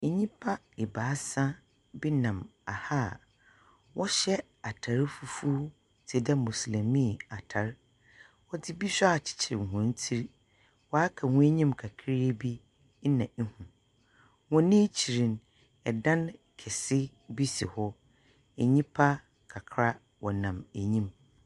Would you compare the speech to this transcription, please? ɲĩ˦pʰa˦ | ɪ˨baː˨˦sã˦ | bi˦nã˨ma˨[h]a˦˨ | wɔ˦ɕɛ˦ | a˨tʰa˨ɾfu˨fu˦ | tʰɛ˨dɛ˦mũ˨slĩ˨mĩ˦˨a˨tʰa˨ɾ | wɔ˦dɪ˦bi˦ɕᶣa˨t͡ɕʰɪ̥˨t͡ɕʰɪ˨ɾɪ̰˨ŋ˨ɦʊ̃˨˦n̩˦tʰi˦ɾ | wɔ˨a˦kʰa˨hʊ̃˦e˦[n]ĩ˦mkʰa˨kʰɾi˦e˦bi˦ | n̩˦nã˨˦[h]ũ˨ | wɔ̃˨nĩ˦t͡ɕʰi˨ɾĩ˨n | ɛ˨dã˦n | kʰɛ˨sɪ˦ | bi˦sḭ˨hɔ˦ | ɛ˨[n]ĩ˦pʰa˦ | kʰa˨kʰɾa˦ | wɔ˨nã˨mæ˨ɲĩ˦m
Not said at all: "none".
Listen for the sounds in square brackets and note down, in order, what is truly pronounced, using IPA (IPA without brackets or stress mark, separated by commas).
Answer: h, ɲ, h, ɲ